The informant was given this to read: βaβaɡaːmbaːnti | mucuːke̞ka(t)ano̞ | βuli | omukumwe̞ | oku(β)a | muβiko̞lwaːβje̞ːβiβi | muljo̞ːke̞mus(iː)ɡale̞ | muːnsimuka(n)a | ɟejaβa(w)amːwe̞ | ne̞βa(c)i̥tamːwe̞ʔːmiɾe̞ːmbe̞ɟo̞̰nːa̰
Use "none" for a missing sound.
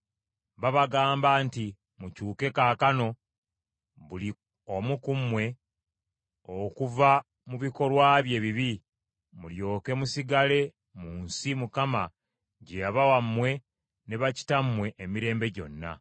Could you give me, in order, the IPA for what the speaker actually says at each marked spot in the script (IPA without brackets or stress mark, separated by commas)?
k, v, i, m, w, c